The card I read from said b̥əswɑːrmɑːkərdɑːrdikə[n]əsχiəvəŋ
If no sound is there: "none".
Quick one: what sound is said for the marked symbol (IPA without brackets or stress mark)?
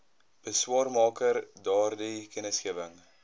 n